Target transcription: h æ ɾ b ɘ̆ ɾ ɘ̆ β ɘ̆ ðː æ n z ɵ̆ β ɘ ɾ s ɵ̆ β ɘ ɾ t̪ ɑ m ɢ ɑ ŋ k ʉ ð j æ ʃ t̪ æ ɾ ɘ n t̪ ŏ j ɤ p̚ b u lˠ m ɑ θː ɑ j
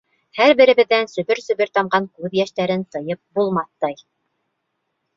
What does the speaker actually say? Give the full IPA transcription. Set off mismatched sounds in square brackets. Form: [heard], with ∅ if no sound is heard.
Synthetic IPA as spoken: h æ ɾ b ɘ̆ ɾ ɘ̆ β ɘ̆ ðː æ n [s] ɵ̆ β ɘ ɾ s ɵ̆ β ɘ ɾ t̪ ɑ m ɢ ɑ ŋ k ʉ ð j æ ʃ t̪ æ ɾ ɘ n t̪ [ɤ̆] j ɤ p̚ b u lˠ m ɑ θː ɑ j